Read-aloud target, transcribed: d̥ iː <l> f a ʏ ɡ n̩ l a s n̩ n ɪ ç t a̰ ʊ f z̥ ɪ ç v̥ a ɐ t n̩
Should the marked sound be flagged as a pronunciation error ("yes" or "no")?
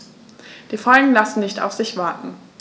yes